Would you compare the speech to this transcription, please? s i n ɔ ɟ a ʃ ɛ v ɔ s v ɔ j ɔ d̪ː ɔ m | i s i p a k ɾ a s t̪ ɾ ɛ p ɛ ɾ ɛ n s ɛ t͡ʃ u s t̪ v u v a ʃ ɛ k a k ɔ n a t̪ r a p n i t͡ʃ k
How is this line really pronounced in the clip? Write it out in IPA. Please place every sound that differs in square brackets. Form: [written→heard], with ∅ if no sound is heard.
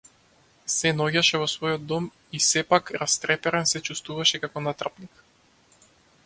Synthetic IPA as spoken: s [i→ɛ] n ɔ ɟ a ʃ ɛ v ɔ s v ɔ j ɔ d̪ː ɔ m | i s [i→ɛ] p a k ɾ a s t̪ ɾ ɛ p ɛ ɾ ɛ n s ɛ t͡ʃ u s t̪ v u v a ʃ ɛ k a k ɔ n a t̪ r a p n i [t͡ʃ→∅] k